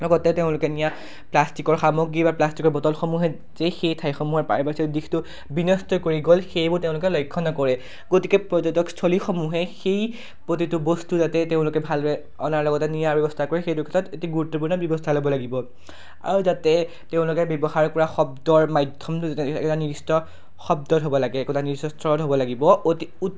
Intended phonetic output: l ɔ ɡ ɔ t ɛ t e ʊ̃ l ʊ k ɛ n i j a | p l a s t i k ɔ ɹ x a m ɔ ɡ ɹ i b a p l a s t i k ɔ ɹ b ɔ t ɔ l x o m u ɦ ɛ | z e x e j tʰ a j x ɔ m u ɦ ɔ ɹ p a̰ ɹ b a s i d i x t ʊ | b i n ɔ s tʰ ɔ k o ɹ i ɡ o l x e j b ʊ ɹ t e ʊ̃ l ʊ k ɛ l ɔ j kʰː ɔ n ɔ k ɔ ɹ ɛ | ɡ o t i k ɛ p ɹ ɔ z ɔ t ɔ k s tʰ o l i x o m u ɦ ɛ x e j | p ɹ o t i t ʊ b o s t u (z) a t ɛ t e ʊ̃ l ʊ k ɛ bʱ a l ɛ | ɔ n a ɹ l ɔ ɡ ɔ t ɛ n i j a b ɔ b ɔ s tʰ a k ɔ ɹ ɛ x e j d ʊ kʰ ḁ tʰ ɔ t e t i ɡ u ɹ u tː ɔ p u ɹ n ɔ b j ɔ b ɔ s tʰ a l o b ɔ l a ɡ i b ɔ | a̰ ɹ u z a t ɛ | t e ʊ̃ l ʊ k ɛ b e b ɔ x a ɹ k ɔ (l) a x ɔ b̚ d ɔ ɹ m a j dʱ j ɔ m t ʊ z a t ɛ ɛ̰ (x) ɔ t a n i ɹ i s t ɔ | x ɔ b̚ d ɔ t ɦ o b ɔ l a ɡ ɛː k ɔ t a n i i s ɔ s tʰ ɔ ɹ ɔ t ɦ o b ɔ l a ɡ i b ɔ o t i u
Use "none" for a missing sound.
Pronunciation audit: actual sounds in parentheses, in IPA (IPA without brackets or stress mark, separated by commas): z, ɹ, k